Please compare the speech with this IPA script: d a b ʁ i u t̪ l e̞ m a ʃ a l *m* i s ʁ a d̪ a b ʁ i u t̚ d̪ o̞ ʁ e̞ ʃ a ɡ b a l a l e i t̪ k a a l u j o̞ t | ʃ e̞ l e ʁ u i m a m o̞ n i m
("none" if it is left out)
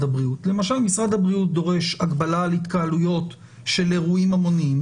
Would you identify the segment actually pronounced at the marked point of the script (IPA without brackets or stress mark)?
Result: m